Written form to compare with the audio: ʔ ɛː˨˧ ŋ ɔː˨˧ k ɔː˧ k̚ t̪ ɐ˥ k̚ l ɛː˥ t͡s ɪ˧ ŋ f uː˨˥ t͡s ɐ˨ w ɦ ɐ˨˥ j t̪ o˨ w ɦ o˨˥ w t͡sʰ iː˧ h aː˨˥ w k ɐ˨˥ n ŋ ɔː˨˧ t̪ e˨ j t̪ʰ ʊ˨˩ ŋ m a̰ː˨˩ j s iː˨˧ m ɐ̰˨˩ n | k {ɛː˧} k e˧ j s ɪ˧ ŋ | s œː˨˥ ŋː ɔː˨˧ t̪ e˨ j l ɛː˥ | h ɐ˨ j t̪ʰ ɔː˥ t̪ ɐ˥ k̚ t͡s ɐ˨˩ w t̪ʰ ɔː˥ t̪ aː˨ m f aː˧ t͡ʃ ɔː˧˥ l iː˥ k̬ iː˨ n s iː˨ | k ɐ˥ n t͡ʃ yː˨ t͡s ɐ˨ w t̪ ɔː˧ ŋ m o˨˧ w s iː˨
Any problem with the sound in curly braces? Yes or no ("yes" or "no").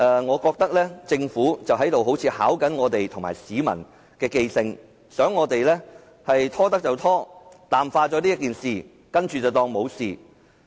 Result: no